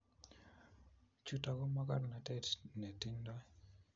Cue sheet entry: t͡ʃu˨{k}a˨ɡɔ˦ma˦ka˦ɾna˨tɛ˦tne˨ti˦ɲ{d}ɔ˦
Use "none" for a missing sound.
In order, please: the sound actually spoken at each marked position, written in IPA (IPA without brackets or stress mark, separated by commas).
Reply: t, d